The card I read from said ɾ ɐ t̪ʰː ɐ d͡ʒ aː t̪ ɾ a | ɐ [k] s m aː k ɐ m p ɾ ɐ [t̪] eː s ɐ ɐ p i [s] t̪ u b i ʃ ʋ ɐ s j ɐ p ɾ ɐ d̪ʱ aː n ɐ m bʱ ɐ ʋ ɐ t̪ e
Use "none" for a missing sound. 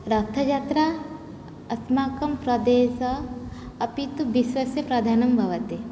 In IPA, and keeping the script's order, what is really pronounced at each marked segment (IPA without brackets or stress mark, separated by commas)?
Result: none, d̪, none